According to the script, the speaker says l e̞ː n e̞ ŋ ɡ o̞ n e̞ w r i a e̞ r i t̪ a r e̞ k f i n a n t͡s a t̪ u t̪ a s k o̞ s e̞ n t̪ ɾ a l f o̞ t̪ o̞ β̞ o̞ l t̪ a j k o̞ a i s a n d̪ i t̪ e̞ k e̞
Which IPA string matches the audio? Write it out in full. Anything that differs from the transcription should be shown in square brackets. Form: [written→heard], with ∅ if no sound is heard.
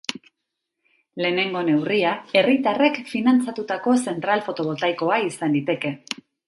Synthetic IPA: l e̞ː n e̞ ŋ ɡ o̞ n e̞ w r i a e̞ r i t̪ a r e̞ k f i n a n t͡s a t̪ u t̪ a [s→∅] k o̞ s e̞ n t̪ ɾ a l f o̞ t̪ o̞ β̞ o̞ l t̪ a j k o̞ a i s a n d̪ i t̪ e̞ k e̞

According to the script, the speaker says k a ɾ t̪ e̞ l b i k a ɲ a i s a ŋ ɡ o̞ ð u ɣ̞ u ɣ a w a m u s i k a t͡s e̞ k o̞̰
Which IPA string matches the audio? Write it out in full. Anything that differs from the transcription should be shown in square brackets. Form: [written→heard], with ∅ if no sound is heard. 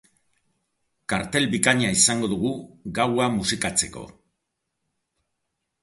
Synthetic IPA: k a ɾ t̪ e̞ l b i k a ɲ a i s a ŋ ɡ o̞ ð u ɣ̞ u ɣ a w a m u s i k a t͡s e̞ k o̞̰

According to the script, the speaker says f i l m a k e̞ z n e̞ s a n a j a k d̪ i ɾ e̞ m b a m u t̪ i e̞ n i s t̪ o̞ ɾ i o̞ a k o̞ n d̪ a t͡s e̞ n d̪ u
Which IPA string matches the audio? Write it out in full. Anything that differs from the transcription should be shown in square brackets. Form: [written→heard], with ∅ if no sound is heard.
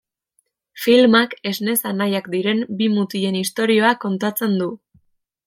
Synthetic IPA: f i l m a k e̞ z n e̞ s a n a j a k d̪ i ɾ e̞ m b [a→i] m u t̪ i e̞ n i s t̪ o̞ ɾ i o̞ a k o̞ n [d̪→t̪] a t͡s e̞ n d̪ u

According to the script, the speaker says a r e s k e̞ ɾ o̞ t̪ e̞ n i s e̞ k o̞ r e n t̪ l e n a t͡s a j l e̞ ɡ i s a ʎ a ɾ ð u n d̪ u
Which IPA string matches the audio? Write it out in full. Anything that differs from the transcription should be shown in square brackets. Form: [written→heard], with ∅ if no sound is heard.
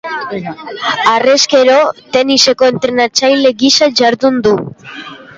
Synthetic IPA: a r e s k e̞ ɾ o̞ t̪ e̞ n i s e̞ k o̞ [r→∅] e n t̪ [l→ɾ] e n a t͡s a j l e̞ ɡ i s a [ʎ→ʝ] a ɾ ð u n d̪ u

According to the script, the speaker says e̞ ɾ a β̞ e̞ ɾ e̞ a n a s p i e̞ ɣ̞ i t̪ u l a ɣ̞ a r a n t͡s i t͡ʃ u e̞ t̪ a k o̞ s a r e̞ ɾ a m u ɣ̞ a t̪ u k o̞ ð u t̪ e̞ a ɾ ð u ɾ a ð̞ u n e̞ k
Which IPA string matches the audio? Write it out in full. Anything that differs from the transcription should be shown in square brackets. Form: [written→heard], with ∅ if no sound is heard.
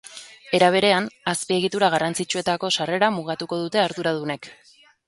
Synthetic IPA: e̞ ɾ a β̞ e̞ ɾ e̞ a n a s p i e̞ ɣ̞ i t̪ u [l→ɾ] a ɣ̞ a r a n t͡s i t͡ʃ u e̞ t̪ a k o̞ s a r e̞ ɾ a m u ɣ̞ a t̪ u k o̞ ð u t̪ e̞ a ɾ ð u ɾ a ð̞ u n e̞ k

